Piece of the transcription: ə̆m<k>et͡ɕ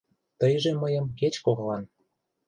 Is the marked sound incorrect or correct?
correct